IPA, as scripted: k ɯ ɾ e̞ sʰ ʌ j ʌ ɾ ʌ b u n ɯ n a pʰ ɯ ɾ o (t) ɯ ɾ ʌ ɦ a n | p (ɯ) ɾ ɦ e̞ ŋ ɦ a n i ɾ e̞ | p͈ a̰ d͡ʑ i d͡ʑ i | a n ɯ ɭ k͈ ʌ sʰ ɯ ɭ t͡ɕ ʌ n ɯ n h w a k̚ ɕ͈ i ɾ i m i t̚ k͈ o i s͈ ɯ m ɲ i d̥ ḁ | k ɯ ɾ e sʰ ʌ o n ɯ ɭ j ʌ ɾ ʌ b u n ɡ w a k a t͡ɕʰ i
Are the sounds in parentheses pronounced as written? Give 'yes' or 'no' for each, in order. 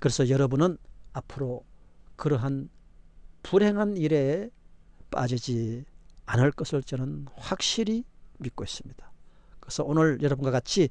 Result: no, no

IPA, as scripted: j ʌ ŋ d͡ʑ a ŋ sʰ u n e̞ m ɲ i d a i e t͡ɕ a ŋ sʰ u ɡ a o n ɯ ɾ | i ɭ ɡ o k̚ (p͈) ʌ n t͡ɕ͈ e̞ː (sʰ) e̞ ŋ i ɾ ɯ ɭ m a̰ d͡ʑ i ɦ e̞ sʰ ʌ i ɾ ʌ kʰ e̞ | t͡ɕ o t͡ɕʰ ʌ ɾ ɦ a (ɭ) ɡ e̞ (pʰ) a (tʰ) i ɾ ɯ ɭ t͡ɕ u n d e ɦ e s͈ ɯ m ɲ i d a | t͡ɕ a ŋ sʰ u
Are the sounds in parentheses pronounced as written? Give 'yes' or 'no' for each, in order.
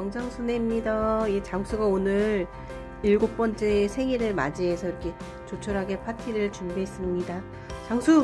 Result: yes, yes, no, yes, yes

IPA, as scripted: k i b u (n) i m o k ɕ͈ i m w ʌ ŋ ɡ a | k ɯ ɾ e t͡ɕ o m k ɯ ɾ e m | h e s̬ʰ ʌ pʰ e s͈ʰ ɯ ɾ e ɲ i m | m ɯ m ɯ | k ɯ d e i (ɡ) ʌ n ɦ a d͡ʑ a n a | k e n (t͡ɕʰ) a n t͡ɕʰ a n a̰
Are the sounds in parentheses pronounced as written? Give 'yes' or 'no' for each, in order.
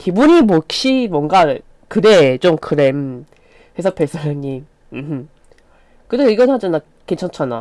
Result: no, yes, yes

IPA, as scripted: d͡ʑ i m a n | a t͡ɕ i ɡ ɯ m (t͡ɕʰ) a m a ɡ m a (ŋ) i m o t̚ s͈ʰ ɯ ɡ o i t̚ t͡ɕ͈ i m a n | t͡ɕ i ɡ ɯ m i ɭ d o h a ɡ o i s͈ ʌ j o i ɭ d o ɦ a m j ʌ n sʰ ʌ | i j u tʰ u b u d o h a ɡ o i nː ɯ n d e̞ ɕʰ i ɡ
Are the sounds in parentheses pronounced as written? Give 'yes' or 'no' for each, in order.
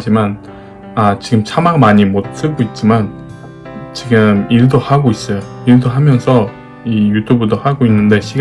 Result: yes, no

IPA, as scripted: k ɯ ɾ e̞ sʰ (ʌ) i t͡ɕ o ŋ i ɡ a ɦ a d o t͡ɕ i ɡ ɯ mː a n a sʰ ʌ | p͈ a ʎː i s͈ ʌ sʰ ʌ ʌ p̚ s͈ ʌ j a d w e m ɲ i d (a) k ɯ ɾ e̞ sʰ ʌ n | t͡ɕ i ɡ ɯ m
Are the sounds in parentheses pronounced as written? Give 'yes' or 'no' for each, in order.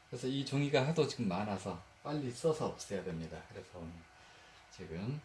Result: yes, yes

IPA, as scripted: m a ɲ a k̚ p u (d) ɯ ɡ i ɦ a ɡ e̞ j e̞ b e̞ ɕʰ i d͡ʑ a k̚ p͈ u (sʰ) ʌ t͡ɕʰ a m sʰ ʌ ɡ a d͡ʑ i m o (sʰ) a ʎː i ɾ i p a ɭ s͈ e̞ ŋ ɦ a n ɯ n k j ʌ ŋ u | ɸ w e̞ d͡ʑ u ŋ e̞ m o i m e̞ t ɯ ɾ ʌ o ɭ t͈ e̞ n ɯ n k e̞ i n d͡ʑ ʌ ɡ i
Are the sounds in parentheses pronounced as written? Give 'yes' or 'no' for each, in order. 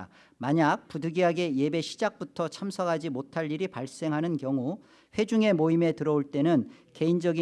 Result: yes, no, no

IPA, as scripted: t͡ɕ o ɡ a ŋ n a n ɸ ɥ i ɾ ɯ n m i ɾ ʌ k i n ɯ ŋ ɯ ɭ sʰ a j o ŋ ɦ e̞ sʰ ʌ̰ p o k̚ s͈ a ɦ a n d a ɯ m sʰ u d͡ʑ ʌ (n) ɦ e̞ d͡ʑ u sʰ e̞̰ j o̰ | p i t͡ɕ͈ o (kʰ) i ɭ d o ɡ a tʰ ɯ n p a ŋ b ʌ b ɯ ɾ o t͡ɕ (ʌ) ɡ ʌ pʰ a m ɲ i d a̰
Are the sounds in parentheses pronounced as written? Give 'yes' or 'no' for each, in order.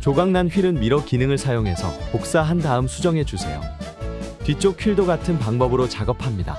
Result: no, yes, no

